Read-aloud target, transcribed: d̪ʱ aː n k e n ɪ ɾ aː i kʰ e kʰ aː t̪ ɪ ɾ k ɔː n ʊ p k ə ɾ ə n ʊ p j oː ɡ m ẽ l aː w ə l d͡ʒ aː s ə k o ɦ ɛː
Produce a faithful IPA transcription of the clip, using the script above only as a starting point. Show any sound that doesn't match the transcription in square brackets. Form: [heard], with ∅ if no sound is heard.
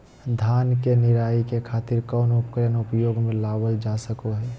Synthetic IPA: d̪ʱ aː n k e n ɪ ɾ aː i [k] e kʰ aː t̪ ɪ ɾ k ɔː n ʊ p k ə ɾ ə n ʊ p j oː ɡ m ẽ l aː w ə l d͡ʒ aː s ə k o ɦ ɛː